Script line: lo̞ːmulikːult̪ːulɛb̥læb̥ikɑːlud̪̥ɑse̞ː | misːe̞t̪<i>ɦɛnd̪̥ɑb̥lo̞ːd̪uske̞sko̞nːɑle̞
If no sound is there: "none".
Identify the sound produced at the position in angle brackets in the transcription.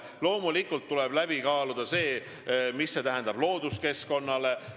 æ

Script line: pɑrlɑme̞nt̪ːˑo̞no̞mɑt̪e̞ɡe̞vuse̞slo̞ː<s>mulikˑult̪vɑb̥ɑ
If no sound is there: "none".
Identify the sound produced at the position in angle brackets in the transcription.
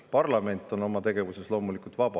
none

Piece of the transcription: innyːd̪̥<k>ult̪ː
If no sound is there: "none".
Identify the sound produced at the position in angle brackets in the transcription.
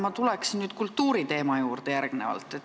k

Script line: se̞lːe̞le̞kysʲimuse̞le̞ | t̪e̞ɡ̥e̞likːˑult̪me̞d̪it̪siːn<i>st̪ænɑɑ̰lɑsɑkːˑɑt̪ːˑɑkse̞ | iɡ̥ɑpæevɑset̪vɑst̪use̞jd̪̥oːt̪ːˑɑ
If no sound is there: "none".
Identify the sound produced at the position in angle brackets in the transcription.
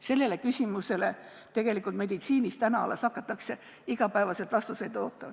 i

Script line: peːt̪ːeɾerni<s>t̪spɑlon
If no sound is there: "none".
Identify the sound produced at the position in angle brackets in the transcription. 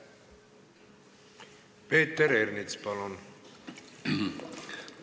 none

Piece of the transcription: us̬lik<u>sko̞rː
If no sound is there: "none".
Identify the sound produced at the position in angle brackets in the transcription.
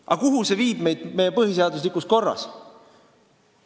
u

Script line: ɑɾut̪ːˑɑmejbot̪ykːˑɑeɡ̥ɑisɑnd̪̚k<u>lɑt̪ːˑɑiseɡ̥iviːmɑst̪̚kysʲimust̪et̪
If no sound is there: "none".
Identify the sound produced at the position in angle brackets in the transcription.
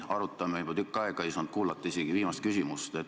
uː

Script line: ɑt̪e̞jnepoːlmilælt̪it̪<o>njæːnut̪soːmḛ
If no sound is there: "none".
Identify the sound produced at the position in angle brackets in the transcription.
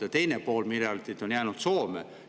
o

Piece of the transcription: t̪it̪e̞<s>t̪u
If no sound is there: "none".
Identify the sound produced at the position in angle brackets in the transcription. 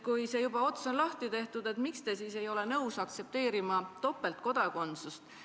h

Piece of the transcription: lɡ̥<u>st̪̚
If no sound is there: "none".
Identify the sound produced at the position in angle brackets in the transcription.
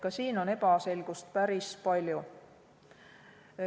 u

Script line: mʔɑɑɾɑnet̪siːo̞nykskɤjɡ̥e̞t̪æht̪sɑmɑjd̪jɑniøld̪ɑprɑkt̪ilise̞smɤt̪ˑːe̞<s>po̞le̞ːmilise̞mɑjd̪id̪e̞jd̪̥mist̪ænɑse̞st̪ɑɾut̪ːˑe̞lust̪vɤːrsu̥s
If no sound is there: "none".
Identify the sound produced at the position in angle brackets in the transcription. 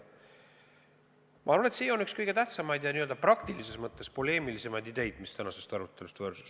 s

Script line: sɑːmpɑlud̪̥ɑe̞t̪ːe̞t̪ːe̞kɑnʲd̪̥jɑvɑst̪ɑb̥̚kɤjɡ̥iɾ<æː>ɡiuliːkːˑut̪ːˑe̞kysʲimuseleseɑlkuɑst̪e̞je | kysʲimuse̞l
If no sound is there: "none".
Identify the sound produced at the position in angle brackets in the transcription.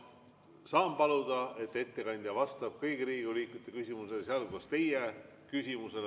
iː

